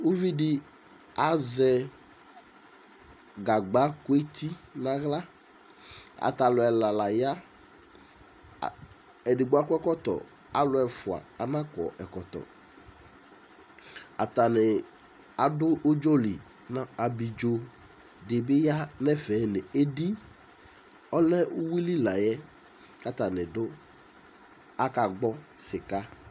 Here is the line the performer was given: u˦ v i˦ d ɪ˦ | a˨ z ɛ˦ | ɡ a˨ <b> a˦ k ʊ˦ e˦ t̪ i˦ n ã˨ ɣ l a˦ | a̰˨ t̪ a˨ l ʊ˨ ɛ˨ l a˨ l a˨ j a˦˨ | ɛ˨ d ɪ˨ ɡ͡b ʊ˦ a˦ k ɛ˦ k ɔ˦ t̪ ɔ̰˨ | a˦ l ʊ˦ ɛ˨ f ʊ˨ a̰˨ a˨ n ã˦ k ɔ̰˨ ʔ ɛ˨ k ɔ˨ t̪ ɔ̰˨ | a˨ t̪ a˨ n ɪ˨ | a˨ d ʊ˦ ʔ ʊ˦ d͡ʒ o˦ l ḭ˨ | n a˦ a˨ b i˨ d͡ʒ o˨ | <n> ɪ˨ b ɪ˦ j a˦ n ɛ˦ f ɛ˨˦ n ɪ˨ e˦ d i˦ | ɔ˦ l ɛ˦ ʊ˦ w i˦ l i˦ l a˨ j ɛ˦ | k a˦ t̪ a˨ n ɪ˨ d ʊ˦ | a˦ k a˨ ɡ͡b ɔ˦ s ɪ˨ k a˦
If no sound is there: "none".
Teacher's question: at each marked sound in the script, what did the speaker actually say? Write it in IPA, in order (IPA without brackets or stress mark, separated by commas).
ɡ͡b, d